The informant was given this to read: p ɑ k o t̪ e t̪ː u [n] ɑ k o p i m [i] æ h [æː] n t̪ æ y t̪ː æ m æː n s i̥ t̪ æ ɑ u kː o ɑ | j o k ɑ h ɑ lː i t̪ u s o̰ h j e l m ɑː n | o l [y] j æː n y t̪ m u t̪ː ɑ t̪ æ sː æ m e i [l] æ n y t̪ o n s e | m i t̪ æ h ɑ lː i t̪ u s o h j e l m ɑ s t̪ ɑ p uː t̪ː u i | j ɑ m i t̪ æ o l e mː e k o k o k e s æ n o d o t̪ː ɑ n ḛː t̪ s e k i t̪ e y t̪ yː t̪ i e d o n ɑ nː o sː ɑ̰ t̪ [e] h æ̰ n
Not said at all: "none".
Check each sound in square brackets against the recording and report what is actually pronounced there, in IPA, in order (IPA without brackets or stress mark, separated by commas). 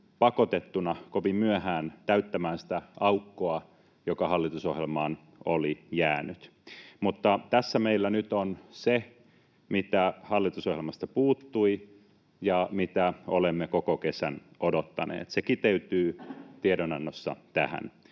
n, y, æː, i, lː, æ